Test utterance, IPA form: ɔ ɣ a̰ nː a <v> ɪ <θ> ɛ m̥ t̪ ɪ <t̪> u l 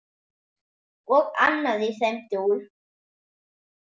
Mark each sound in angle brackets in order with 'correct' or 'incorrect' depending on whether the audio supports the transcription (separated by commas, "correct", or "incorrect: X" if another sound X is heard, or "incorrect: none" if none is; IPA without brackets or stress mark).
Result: incorrect: ð, correct, incorrect: none